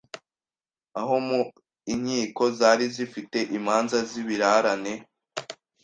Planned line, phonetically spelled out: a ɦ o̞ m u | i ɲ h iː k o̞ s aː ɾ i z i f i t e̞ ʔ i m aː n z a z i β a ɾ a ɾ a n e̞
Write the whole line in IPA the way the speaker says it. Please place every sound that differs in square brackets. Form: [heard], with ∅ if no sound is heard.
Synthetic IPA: a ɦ o̞ m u | i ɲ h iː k o̞ [z] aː ɾ i z i f i t e̞ ʔ i m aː n z a z i β [i] ɾ a ɾ a n e̞